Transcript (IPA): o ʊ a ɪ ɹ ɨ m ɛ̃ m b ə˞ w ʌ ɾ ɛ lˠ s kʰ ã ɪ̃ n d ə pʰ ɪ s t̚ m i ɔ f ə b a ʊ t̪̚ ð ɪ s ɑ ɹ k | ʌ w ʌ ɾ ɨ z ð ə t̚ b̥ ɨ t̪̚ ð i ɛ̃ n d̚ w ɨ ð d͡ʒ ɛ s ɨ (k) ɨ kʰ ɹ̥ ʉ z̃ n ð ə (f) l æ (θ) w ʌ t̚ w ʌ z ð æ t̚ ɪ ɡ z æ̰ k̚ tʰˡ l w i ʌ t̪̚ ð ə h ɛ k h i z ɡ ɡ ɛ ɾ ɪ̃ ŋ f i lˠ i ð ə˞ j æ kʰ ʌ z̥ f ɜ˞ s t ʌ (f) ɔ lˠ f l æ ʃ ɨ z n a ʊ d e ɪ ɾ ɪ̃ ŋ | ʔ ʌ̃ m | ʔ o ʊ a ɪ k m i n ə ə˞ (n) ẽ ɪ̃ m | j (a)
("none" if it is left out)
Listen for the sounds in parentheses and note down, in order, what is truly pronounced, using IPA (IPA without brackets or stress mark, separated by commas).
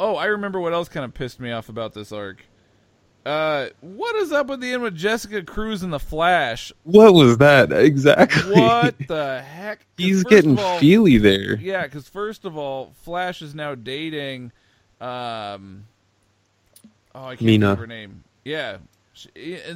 k, f, ʃ, v, n, æ